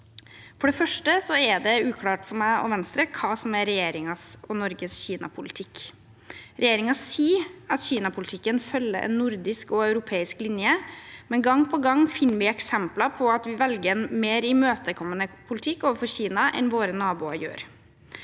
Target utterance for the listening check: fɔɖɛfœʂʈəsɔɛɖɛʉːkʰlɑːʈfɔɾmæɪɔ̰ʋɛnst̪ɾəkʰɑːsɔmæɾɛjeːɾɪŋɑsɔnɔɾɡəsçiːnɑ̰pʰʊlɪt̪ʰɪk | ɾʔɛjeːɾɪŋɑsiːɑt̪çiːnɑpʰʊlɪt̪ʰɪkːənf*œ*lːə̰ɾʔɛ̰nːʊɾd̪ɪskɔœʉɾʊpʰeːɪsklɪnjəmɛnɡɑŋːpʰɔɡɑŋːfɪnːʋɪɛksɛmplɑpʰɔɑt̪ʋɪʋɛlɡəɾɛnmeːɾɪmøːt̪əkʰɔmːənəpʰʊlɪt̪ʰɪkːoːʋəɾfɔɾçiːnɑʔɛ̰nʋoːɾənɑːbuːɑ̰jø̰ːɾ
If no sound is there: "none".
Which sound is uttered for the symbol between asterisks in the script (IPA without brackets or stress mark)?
œ